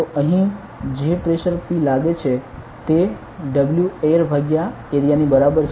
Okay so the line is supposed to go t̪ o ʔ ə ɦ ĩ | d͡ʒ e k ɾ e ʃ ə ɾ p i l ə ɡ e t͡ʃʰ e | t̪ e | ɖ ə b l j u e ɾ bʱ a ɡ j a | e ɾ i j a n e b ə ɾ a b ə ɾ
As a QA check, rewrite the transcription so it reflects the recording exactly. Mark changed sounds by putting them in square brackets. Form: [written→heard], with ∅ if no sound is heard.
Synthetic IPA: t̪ o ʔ ə ɦ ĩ | d͡ʒ e [k→p] ɾ e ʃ ə ɾ p i l [ə→a] ɡ e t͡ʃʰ e | t̪ e | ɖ ə b l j u e ɾ bʱ a ɡ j a | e ɾ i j a n [e→i] b ə ɾ a b ə ɾ